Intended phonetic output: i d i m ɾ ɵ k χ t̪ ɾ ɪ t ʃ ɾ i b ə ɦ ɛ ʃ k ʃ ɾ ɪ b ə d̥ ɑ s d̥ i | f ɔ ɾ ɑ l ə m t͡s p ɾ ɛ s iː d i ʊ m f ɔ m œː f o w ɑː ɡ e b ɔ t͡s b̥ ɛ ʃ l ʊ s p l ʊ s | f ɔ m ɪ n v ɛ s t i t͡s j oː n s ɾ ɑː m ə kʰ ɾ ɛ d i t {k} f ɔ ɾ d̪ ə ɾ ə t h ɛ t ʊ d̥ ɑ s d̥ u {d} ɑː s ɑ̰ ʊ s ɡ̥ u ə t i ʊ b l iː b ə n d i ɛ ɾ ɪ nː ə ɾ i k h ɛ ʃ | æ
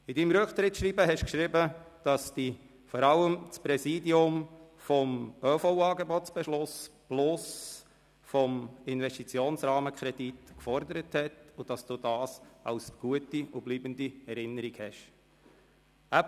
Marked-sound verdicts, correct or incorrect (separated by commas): correct, correct